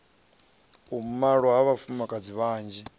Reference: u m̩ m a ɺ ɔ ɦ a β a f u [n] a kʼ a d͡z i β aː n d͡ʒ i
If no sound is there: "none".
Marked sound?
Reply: m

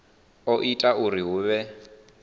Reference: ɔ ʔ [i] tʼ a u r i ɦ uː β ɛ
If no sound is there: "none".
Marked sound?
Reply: i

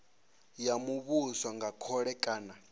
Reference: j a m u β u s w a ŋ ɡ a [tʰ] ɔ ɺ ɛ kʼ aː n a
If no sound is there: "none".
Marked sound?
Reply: kʰ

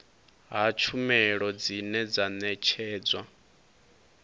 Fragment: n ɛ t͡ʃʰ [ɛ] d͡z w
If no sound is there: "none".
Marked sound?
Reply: ɛː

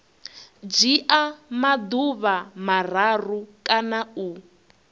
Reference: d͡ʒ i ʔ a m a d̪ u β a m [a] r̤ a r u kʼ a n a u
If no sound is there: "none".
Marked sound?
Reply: a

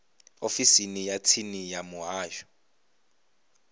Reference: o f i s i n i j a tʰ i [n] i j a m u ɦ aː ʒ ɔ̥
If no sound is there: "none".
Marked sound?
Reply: n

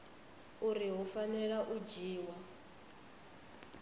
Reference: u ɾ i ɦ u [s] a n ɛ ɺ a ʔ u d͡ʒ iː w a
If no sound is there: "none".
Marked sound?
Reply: f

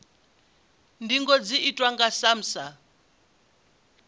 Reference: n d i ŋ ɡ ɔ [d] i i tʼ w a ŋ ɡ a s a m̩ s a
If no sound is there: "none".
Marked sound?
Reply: d͡z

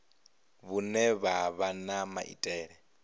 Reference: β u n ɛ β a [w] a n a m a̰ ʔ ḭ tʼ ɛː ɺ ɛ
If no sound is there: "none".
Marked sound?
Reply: β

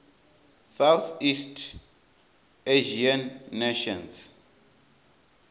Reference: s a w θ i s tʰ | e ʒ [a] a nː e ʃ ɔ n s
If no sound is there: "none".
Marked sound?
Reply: i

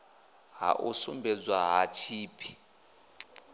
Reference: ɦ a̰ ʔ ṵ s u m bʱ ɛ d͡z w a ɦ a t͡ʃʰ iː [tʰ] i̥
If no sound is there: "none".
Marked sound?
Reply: pʰ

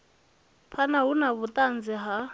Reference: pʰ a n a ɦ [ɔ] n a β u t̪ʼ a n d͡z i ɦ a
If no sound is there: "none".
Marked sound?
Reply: u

